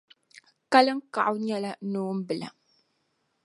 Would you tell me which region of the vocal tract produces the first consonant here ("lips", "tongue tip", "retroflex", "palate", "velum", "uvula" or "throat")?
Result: velum